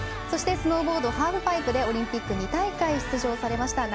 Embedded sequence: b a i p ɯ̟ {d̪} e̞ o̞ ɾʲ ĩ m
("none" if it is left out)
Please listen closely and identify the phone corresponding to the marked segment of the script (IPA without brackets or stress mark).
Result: d̪